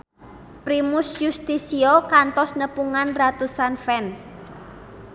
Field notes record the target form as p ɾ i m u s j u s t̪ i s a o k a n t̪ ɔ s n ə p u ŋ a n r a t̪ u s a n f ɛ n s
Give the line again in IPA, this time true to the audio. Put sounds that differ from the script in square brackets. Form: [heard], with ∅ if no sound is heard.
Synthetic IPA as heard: p ɾ i m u s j u s t̪ i s [i] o k a n t̪ ɔ s n ə p u ŋ a n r a t̪ u s a n f ɛ n s